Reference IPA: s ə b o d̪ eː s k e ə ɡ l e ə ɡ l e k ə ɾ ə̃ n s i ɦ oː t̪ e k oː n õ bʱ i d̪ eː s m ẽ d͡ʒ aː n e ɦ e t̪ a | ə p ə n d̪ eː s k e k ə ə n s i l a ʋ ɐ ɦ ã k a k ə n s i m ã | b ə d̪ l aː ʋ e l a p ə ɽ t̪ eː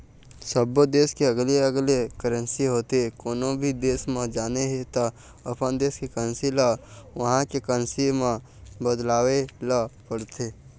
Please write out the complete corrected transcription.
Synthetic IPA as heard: s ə b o d̪ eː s k e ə ɡ l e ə ɡ l e k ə ɾ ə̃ n s i ɦ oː t̪ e k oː n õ bʱ i d̪ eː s m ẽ d͡ʒ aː n e ɦ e t̪ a | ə p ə n d̪ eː s k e k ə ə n s i l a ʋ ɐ ɦ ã k e k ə n s i m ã | b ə d̪ l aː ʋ e l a p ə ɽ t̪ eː